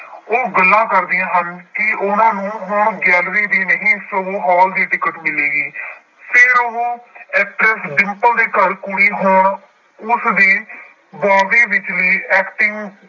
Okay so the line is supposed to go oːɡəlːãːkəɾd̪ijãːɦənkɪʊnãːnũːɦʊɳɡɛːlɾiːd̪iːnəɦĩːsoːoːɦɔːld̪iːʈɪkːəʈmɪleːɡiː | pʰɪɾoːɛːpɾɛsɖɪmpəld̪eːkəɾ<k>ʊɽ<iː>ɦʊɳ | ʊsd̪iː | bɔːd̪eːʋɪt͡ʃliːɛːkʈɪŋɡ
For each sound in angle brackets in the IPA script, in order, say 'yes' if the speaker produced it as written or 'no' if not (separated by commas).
yes, yes